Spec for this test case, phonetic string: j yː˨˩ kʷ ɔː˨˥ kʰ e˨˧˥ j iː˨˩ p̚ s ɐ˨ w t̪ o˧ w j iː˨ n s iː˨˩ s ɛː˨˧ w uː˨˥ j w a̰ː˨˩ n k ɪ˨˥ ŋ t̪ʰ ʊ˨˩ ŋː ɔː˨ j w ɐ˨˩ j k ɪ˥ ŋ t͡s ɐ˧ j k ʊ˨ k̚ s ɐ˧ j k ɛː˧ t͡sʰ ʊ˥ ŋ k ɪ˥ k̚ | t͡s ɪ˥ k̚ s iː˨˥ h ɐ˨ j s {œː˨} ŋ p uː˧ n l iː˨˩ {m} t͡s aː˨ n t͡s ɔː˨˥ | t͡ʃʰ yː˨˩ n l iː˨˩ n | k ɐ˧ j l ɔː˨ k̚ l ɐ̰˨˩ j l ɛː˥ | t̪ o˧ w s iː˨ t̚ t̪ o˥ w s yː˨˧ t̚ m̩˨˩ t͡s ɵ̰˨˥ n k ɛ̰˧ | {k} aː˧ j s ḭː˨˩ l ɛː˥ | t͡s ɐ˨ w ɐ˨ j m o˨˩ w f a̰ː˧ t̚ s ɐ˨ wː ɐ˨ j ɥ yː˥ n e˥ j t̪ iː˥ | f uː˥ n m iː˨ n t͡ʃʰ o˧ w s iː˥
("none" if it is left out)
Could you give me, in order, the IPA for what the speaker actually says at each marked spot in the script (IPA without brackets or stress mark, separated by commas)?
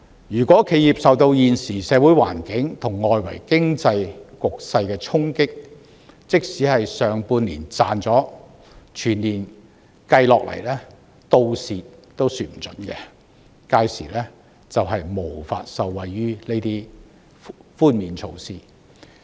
œː˨, n, k